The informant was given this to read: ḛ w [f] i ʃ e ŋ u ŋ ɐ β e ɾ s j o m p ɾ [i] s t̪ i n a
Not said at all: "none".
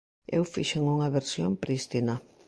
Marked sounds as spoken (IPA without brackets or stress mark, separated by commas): f, i